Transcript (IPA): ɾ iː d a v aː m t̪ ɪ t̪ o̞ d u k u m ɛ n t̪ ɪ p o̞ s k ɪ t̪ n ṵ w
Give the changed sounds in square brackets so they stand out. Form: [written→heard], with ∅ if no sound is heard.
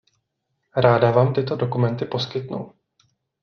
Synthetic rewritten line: ɾ [iː→aː] d a v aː m t̪ ɪ t̪ o̞ d [u→o] k u m ɛ n t̪ ɪ p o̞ s k ɪ t̪ n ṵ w